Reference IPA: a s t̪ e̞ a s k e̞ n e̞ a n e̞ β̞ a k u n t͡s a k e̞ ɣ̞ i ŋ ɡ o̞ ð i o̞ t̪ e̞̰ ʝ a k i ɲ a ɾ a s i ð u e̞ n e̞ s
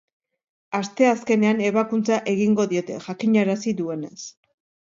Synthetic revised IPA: a s t̪ e̞ a s k e̞ n e̞ a n e̞ β̞ a k u n t͡s a ʔ e̞ ɣ̞ i ŋ ɡ o̞ ð i o̞ t̪ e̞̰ ʝ a k i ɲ a ɾ a s i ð u e̞ n e̞ s

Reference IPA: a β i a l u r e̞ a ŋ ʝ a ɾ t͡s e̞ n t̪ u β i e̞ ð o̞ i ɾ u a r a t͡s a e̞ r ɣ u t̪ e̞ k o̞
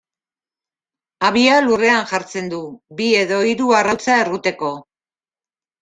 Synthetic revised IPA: a β i a l u r e̞ a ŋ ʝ a ɾ t͡s e̞ n d̪ u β i e̞ ð o̞ i ɾ u a r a t͡s a e̞ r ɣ u t̪ e̞ k o̞

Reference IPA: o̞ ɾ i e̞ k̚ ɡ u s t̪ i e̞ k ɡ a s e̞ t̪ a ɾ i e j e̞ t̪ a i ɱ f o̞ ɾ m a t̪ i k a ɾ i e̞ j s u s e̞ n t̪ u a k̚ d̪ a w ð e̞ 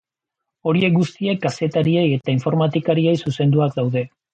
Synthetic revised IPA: o̞ ɾ i e̞ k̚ ɡ u s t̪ i e̞ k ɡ a s e̞ t̪ a ɾ i e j e̞ t̪ a i ɱ f o̞ ɾ m a t̪ i k a ɾ i e̞ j s u s e̞ n d̪ u a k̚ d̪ a w ð e̞

